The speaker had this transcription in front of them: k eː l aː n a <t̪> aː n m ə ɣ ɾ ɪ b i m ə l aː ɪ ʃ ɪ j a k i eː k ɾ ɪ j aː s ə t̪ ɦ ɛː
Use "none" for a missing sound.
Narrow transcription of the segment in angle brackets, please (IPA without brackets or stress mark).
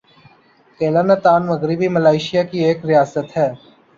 t̪